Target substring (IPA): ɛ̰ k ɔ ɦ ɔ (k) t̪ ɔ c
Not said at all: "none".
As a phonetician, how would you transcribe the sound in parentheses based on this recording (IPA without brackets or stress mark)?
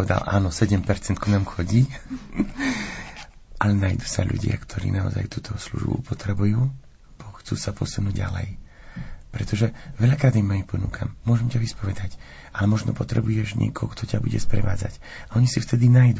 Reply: k